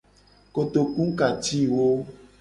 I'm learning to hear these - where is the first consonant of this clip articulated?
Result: velum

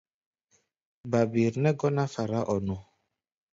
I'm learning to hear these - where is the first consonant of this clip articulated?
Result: lips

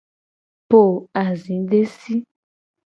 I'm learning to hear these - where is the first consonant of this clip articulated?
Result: lips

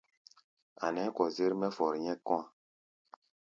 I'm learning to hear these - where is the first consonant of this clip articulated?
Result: tongue tip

